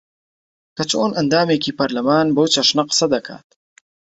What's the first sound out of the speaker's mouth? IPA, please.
k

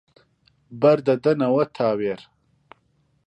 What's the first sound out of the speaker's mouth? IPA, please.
b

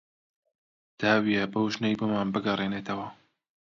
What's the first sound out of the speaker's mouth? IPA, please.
d̪̥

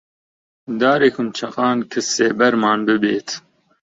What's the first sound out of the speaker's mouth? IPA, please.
d̪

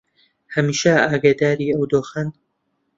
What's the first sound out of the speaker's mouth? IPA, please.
h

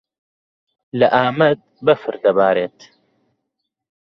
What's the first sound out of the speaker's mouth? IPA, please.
l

